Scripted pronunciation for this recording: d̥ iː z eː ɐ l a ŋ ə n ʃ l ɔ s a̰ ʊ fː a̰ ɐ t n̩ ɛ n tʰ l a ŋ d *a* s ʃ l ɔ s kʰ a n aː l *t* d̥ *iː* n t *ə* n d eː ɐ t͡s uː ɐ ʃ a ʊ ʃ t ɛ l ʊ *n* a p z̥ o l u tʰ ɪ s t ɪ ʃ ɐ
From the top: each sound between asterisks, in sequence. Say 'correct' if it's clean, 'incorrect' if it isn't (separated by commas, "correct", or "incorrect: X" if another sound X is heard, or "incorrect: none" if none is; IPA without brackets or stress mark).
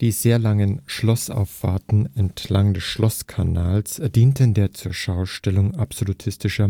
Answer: incorrect: ɛ, incorrect: s, correct, correct, incorrect: ŋ